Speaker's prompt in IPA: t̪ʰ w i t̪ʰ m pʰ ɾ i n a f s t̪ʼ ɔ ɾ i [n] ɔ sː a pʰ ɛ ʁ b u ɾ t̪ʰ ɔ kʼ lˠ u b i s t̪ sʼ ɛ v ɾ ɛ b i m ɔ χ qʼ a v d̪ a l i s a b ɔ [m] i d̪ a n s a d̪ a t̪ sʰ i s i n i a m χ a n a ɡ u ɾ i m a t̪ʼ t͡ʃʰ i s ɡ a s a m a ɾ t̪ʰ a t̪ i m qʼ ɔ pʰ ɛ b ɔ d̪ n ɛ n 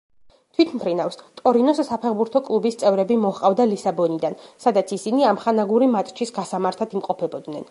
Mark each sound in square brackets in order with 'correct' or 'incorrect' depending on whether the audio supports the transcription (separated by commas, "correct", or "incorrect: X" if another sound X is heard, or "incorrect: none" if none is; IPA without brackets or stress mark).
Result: correct, incorrect: n